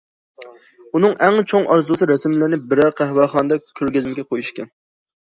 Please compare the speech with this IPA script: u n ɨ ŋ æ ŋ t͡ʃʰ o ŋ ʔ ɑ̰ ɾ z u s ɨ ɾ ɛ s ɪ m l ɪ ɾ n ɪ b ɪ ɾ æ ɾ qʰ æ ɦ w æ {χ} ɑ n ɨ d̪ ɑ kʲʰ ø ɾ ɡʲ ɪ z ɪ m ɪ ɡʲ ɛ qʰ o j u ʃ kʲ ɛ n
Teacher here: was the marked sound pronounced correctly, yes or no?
yes